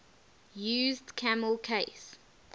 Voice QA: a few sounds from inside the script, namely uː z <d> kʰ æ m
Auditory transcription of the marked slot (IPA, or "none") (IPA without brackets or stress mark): d